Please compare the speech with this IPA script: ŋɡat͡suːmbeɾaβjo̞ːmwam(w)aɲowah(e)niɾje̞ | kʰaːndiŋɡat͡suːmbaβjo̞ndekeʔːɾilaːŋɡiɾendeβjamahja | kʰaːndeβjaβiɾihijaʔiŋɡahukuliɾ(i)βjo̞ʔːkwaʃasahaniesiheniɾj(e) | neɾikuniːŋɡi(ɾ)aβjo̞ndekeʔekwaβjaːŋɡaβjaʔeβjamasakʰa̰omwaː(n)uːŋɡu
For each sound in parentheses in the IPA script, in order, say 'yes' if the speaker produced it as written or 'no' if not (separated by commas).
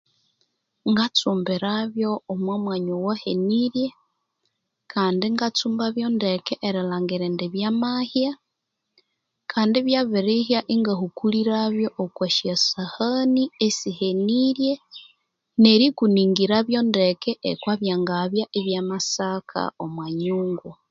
yes, yes, no, yes, yes, no